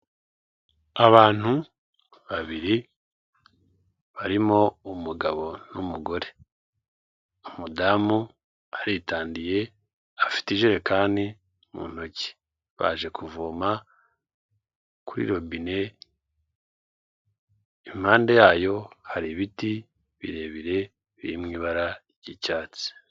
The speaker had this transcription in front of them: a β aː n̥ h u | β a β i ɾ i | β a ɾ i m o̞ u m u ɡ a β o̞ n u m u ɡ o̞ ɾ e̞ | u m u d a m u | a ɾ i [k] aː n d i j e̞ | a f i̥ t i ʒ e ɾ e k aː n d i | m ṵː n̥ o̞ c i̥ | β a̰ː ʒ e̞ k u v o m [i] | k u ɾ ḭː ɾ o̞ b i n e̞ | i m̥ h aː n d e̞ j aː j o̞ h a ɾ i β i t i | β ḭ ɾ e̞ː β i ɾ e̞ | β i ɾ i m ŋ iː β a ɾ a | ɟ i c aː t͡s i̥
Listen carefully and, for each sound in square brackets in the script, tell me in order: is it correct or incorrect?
incorrect: t, incorrect: a

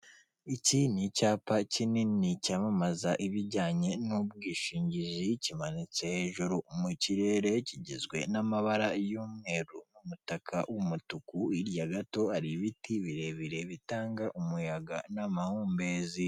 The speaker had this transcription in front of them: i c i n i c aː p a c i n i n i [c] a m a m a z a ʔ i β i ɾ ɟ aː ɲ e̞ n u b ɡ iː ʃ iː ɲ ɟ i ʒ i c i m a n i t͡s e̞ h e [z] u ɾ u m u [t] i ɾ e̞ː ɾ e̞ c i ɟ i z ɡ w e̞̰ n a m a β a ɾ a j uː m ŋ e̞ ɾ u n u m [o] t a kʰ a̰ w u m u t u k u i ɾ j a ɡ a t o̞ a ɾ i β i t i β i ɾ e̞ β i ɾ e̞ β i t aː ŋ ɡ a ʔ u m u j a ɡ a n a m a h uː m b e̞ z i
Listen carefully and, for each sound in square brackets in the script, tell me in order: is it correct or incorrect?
correct, incorrect: ʒ, incorrect: c, incorrect: u

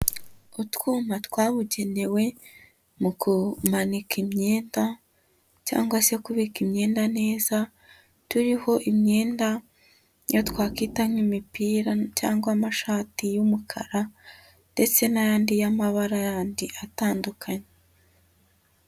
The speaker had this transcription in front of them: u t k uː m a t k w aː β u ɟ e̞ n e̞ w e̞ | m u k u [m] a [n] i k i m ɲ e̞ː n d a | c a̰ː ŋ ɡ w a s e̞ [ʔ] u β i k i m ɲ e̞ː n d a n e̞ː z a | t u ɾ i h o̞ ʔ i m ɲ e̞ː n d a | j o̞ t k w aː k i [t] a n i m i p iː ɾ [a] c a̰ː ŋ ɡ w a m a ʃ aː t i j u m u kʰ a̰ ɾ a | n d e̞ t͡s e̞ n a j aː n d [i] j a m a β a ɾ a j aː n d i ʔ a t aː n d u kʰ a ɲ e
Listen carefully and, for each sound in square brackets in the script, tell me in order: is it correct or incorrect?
correct, correct, incorrect: k, correct, correct, correct

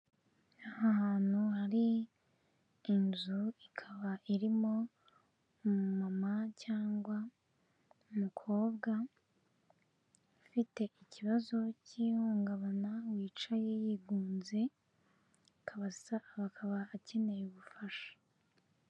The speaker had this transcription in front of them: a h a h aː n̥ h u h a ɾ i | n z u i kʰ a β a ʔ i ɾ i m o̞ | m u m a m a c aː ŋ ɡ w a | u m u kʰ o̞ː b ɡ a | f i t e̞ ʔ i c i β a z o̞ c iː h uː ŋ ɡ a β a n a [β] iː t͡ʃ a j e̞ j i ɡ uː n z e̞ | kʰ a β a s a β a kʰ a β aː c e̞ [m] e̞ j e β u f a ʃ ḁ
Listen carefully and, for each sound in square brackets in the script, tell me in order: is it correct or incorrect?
incorrect: w, incorrect: n

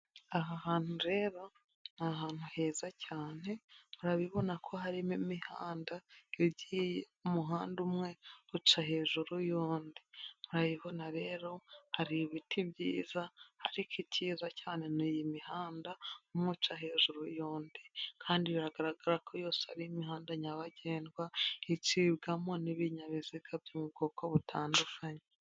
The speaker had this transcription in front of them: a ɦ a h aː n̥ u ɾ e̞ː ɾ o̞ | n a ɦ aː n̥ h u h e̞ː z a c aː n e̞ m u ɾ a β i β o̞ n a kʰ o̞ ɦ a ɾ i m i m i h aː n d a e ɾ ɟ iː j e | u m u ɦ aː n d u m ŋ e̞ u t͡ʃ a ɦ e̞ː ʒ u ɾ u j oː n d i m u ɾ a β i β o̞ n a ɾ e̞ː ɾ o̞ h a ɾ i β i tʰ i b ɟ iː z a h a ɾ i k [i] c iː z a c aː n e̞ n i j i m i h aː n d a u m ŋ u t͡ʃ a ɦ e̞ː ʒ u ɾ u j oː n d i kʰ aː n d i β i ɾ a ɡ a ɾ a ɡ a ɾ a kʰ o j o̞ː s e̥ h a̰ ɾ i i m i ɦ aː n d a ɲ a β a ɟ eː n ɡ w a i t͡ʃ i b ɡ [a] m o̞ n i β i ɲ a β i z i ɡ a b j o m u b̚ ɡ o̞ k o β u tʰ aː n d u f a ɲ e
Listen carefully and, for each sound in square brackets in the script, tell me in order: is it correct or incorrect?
correct, correct

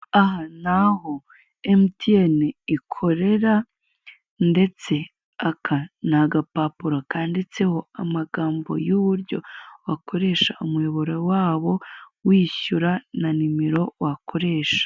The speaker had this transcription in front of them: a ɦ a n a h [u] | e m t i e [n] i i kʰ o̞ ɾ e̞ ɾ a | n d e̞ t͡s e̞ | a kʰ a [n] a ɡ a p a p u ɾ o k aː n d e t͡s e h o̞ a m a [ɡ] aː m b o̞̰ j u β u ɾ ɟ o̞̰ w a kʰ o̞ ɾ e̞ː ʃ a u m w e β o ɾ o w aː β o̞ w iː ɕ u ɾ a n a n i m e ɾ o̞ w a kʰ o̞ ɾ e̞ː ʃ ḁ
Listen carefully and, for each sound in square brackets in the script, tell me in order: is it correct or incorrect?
incorrect: o, correct, correct, correct

